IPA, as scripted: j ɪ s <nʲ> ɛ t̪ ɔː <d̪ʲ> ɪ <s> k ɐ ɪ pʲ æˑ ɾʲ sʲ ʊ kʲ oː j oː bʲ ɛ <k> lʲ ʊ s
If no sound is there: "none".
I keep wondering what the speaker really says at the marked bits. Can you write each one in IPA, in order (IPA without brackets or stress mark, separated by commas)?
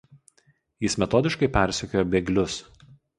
mʲ, d̪ʲ, ʃ, ɡ